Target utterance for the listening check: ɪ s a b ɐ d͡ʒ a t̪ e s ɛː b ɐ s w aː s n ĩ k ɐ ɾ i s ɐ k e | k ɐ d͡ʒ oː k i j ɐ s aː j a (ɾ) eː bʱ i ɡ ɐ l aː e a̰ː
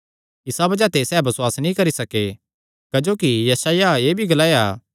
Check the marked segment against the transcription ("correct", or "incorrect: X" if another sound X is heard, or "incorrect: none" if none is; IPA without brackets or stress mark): incorrect: none